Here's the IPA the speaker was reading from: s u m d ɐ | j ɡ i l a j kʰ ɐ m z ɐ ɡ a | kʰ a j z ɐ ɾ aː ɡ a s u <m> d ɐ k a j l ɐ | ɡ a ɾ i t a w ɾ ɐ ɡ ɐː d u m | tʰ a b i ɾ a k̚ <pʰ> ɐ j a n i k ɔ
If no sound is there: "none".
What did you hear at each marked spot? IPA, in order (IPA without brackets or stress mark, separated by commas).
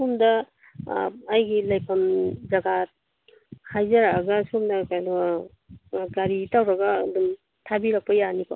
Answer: m, p